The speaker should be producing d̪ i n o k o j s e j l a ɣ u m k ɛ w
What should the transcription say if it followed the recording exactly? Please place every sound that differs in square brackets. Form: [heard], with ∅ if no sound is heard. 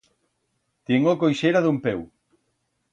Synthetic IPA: [t̪] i [ŋ] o k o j [ʃ] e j [ɾ] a [ð] u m [p] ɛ w